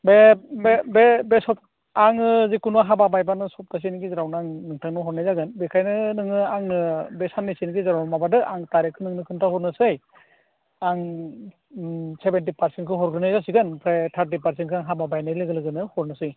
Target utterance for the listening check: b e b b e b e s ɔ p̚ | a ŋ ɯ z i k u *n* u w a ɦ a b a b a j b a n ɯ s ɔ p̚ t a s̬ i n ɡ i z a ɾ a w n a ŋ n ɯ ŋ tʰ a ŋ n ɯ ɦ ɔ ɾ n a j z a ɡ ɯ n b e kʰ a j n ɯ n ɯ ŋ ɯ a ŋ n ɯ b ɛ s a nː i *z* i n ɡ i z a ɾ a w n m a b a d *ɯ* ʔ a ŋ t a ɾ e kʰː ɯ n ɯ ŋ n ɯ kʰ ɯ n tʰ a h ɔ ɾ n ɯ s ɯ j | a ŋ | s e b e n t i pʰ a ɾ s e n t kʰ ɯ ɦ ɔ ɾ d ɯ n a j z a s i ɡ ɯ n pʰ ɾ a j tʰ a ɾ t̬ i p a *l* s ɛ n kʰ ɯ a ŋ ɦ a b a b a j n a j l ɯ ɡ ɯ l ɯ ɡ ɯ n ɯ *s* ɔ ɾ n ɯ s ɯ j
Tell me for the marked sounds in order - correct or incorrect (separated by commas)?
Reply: correct, incorrect, correct, incorrect, incorrect